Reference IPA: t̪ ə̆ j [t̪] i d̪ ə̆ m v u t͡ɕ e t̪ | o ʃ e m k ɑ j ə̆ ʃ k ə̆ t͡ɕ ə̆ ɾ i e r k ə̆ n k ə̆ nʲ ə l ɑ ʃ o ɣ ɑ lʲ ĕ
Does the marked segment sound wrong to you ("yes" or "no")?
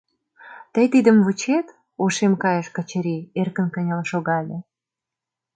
no